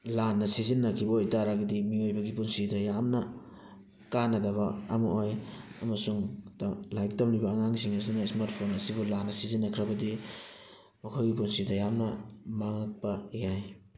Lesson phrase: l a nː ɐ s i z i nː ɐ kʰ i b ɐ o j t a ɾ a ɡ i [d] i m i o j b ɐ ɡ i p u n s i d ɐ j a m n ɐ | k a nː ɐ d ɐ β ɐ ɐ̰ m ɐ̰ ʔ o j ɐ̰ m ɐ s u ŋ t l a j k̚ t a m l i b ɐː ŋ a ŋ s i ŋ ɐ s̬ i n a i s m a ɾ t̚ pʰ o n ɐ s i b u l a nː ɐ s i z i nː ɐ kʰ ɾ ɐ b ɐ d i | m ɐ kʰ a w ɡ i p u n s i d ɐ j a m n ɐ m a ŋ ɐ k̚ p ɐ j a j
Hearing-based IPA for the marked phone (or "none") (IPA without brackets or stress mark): d